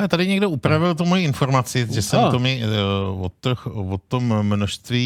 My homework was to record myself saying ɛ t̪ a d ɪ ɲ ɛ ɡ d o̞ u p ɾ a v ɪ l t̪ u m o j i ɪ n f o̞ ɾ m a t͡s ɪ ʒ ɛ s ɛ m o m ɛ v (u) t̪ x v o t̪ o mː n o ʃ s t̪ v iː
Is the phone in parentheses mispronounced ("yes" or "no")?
yes